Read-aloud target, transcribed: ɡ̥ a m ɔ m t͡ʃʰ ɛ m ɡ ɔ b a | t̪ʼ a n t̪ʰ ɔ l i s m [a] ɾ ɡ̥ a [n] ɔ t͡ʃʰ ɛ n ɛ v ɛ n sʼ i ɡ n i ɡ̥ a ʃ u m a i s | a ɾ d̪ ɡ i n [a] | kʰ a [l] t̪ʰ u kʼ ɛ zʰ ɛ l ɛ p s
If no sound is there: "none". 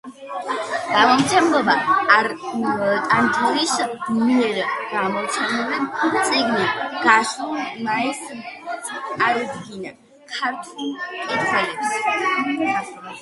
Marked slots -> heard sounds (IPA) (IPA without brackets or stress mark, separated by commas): ɛ, m, a, ɾ